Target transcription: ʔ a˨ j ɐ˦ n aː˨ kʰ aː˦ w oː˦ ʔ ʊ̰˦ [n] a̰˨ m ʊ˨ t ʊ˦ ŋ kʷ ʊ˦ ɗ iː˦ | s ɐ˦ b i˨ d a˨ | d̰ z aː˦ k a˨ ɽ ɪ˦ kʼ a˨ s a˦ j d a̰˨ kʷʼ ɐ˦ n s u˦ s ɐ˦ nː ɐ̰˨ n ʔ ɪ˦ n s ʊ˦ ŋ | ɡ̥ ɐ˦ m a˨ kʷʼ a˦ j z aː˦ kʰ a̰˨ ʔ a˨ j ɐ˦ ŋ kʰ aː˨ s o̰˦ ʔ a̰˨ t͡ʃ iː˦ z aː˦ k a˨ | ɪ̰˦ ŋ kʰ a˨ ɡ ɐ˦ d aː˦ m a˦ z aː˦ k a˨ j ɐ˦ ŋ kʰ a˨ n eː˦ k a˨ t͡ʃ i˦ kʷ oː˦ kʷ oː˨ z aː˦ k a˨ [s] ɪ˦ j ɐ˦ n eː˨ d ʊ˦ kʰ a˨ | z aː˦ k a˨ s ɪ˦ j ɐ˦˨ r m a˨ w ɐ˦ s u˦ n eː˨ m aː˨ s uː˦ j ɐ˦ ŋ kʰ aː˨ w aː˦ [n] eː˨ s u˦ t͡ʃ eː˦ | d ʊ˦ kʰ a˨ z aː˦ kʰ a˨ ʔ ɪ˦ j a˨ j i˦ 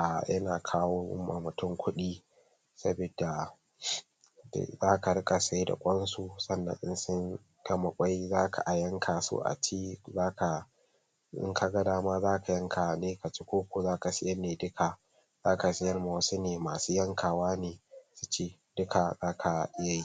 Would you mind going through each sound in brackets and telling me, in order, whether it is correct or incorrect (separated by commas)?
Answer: incorrect, correct, correct